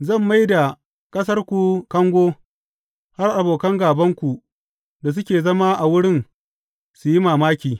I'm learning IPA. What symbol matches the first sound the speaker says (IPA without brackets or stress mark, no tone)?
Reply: z